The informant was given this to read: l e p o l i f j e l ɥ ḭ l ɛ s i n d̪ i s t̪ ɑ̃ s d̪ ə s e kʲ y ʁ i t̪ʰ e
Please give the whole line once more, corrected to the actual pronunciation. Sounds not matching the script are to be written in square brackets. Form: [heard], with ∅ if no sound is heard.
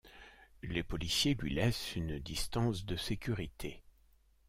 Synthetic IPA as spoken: l e p [ɔ] l i [s] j e l ɥ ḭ l ɛ s [y] n d̪ i s t̪ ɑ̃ s d̪ ə s e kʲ y ʁ i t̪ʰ e